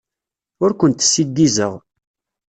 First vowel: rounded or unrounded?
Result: rounded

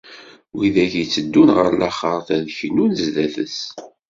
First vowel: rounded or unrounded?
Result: unrounded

